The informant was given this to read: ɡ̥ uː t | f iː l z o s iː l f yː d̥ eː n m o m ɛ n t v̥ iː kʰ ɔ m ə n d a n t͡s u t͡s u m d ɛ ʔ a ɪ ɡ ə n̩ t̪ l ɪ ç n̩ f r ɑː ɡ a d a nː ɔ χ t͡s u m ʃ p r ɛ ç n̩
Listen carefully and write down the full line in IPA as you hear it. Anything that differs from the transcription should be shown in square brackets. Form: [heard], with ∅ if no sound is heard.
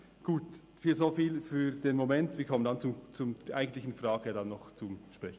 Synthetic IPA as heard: ɡ̥ uː t | f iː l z o [f] iː l f yː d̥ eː n m o m ɛ n t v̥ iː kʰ ɔ m ə n d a n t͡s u t͡s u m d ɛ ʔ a ɪ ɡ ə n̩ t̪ l ɪ ç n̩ f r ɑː ɡ [ə] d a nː ɔ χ t͡s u m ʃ p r ɛ ç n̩